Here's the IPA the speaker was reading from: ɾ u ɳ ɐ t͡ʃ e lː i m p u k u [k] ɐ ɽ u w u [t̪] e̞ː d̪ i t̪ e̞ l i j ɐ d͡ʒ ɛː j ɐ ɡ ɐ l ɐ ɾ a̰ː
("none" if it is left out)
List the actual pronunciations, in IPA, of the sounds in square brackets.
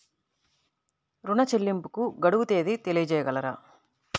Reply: ɡ, t̪

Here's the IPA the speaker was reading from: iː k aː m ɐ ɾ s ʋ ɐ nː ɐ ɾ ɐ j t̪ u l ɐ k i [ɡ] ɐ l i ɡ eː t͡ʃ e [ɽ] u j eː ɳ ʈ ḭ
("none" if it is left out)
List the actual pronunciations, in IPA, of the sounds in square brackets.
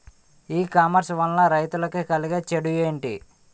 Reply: k, ɽ

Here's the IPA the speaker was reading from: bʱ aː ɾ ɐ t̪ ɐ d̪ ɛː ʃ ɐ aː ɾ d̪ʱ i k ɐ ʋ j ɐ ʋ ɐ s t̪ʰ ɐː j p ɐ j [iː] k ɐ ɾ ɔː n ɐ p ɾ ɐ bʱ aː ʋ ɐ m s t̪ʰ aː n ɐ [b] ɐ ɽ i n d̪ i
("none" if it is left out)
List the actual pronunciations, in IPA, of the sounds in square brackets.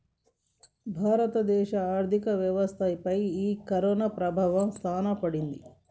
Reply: iː, p

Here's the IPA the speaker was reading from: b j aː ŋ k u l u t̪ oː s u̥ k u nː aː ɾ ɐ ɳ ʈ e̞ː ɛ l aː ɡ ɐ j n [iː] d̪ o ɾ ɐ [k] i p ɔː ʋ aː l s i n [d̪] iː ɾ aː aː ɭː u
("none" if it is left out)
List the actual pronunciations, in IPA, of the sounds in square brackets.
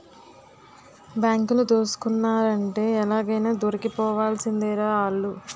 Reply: aː, k, d̪

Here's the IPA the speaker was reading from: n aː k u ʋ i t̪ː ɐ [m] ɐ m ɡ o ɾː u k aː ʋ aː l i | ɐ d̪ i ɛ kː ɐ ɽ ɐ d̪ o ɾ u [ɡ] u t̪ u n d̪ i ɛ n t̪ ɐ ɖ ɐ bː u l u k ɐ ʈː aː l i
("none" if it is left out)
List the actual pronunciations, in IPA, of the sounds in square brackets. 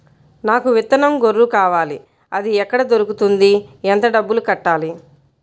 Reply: n, k

